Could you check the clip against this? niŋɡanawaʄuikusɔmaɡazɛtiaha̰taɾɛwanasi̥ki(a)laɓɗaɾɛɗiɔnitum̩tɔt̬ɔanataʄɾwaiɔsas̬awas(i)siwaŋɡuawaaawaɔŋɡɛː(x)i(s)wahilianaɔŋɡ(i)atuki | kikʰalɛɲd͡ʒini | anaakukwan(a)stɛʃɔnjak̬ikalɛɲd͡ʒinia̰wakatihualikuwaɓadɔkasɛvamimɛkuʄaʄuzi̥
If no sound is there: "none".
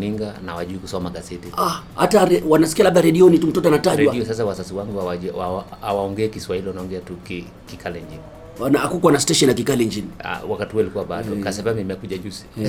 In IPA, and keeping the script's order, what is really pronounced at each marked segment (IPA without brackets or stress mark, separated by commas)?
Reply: a, a, k, s, ɛ, a